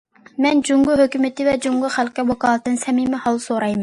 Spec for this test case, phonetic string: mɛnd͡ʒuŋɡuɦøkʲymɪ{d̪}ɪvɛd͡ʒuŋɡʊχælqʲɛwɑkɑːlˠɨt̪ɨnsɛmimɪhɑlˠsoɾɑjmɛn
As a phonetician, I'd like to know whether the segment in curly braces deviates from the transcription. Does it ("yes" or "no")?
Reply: yes